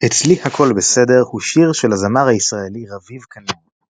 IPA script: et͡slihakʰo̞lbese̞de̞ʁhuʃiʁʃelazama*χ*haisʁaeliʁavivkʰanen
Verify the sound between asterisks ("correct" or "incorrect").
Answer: incorrect